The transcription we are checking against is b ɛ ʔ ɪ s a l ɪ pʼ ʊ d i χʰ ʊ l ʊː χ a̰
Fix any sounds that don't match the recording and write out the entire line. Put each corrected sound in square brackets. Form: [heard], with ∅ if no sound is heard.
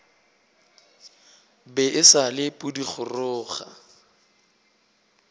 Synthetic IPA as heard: b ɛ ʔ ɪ s a l ɪ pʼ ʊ d i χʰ ʊ [r] ʊː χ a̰